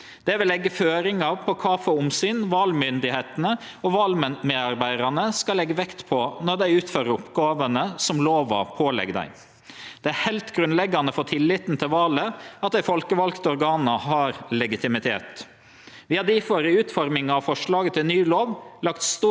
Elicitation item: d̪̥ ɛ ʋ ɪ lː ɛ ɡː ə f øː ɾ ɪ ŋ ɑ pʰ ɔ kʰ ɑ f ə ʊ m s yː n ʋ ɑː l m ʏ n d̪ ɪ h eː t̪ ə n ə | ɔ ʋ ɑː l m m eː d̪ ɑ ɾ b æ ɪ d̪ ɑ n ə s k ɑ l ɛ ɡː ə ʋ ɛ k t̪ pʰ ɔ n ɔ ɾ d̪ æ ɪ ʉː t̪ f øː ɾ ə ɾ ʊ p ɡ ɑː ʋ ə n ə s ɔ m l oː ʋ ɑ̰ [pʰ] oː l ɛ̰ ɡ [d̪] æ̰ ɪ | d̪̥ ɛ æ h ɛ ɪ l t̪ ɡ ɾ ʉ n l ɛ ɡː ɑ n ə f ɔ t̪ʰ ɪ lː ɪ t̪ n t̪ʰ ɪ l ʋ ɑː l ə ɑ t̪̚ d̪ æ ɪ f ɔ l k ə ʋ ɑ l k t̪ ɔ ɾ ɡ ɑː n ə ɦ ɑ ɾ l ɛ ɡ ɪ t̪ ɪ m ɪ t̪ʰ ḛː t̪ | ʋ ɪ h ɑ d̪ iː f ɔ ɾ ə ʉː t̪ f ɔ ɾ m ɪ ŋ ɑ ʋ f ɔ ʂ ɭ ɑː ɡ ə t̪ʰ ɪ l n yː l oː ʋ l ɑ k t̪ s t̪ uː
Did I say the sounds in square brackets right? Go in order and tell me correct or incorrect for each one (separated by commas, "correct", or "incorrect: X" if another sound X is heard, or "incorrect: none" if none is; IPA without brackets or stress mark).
correct, correct